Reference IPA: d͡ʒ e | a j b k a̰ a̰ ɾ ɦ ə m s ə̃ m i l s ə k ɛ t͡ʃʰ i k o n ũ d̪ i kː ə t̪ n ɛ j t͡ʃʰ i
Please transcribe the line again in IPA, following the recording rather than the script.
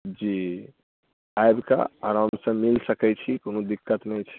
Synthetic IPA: d͡ʒ i | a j b k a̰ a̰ ɾ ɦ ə m s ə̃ m i l s ə k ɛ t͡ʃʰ i k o n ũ d̪ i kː ə t̪ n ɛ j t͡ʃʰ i